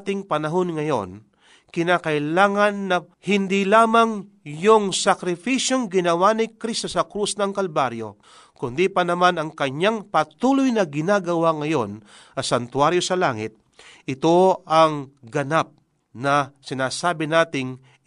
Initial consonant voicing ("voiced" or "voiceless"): voiceless